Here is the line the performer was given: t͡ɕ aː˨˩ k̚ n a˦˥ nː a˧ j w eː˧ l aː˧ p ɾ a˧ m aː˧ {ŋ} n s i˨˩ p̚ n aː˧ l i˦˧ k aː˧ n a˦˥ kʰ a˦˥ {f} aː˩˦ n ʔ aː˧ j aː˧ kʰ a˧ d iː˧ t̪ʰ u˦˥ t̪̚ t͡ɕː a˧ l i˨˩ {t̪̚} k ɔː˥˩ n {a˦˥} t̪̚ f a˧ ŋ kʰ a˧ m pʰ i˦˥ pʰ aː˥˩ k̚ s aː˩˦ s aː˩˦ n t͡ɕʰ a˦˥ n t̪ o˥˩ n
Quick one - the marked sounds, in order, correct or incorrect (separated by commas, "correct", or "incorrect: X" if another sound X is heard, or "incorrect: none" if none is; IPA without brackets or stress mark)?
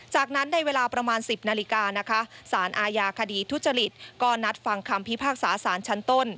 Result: incorrect: none, incorrect: s, correct, correct